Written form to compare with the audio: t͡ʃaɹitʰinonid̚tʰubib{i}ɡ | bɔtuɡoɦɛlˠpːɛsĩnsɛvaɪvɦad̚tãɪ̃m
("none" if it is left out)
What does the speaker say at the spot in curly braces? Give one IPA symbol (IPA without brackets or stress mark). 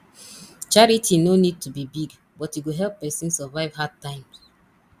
i